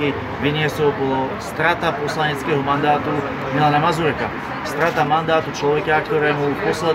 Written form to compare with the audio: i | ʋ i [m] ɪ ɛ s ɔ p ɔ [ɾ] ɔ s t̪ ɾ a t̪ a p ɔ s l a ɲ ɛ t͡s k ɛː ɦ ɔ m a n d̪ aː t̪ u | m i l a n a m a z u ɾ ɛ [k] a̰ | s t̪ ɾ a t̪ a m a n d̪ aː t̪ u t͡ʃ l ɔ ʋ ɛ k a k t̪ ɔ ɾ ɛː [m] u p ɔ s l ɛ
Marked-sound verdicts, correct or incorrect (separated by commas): incorrect, incorrect, correct, correct